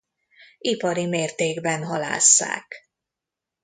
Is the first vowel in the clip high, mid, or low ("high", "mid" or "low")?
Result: high